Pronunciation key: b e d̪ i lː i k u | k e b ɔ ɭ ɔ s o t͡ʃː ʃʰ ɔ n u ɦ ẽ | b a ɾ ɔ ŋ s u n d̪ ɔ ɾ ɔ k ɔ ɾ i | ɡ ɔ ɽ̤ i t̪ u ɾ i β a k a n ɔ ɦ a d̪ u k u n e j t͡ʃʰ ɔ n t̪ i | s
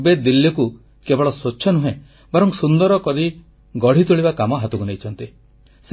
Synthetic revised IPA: b e d̪ i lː i k u | k e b ɔ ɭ ɔ s o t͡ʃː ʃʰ ɔ n u ɦ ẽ | b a ɾ ɔ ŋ s u n d̪ ɔ ɾ ɔ k ɔ ɾ i | ɡ ɔ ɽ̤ i t̪ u ɭ i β a k a m ɔ ɦ a t̪ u k u n e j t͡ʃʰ ɔ n t̪ i | s